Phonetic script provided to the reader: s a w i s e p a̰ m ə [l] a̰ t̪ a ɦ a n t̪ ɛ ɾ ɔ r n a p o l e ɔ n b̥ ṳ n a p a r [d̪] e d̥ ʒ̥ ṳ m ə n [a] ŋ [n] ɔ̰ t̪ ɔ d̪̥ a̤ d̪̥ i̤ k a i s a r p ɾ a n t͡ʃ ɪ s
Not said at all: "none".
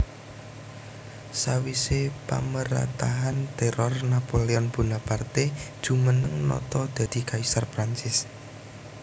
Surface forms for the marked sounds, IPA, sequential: ɾ, t̪, ə, n

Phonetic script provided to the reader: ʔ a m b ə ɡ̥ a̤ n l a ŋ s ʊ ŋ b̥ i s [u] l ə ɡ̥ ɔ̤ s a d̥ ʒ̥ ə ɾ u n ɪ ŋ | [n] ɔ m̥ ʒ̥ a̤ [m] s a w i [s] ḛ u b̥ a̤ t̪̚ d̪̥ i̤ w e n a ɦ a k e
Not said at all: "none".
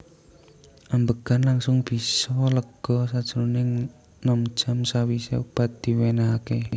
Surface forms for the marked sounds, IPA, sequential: ɔ, n, m, s

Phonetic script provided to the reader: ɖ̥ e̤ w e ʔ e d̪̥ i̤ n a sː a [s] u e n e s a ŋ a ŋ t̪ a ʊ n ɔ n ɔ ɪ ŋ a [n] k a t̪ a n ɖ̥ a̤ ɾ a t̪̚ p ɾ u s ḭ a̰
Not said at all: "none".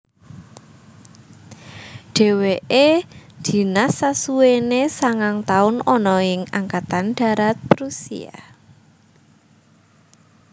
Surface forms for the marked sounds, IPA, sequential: s, ŋ

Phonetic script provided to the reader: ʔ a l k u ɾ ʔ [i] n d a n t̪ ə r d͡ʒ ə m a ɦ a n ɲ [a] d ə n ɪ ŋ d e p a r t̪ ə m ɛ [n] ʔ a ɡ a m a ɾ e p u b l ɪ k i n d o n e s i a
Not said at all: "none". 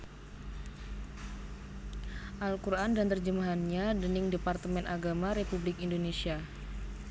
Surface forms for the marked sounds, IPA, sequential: a, a, n

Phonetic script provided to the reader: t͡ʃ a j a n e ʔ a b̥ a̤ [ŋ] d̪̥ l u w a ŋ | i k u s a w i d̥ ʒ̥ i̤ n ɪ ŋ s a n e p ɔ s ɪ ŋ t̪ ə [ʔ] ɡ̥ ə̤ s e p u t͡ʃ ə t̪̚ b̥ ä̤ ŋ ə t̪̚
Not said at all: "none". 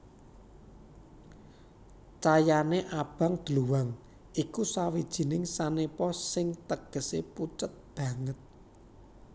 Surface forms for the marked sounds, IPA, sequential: ŋ, none

